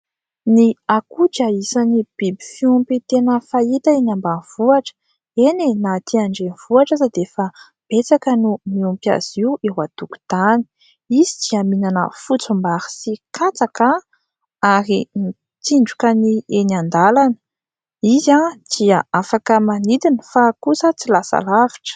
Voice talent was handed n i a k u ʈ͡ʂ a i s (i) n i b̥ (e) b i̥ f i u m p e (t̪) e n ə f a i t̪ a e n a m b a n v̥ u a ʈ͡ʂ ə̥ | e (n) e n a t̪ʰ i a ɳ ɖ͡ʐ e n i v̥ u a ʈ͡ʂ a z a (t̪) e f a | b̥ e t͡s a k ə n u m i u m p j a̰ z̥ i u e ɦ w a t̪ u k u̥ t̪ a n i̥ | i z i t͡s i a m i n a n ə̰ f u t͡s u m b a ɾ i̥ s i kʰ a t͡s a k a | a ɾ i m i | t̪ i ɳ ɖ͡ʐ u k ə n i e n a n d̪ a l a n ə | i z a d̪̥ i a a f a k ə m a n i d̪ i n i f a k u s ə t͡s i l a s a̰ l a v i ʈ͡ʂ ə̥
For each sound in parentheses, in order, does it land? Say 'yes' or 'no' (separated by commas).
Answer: no, no, yes, yes, no